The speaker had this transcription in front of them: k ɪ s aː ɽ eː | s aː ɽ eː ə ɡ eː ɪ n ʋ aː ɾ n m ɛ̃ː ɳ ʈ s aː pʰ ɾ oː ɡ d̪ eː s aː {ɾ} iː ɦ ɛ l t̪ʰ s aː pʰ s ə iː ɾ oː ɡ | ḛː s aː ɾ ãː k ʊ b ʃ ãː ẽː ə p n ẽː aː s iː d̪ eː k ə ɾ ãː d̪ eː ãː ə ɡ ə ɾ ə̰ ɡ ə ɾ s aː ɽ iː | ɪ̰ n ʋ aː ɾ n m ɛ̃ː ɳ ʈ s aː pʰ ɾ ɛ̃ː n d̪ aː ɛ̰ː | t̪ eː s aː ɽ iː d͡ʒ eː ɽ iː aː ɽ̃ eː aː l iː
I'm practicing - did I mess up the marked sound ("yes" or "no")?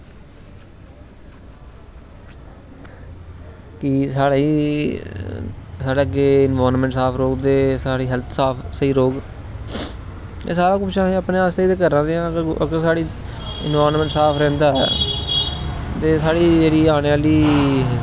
yes